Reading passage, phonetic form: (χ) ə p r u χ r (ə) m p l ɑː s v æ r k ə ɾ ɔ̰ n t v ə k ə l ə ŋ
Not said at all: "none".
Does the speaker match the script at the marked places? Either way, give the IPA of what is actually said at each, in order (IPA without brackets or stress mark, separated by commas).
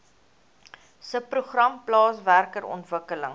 s, ɐ